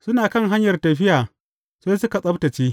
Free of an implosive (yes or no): yes